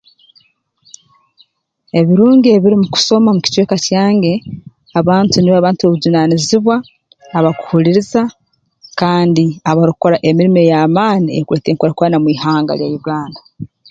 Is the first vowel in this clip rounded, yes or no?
no